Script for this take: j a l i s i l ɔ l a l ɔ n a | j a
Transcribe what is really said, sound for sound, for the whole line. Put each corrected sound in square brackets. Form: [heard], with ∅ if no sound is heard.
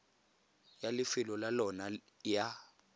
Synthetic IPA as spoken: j a l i [f] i l ɔ l a l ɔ n a | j a